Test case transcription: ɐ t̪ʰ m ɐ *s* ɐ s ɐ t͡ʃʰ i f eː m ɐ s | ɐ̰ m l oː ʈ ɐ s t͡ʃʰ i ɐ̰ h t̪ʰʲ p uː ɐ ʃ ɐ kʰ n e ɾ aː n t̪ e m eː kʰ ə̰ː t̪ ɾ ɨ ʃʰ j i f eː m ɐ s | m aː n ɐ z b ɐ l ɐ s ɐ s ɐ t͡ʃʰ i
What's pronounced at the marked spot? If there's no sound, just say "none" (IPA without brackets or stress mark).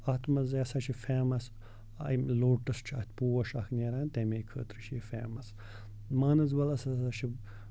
z